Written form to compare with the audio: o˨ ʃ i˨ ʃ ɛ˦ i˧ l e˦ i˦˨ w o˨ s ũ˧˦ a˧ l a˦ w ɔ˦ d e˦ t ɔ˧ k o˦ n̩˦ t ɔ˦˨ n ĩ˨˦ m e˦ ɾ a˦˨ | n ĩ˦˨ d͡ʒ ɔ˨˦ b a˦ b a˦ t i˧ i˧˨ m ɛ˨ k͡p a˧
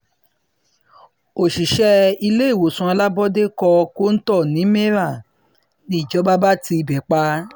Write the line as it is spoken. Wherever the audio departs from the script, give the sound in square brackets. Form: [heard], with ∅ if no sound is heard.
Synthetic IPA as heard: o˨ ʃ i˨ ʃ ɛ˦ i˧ l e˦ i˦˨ w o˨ s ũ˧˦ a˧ l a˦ [b] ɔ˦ d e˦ [k] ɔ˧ k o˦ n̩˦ t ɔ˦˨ n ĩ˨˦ m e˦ ɾ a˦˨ | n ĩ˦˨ d͡ʒ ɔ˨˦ b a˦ b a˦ t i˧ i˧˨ [b] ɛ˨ k͡p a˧